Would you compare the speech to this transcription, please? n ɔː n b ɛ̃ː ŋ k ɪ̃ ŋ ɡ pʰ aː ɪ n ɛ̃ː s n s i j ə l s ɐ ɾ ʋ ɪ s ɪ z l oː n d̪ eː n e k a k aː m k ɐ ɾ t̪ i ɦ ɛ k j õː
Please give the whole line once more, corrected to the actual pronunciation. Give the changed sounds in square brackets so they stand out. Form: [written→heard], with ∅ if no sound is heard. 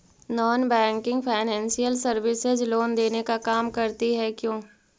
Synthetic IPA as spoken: n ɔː n b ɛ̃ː ŋ k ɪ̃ ŋ ɡ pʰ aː ɪ n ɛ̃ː [s→∅] n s i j ə l s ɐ ɾ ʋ ɪ s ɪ z l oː n d̪ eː n e k a k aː m k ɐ ɾ t̪ i ɦ ɛ k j õː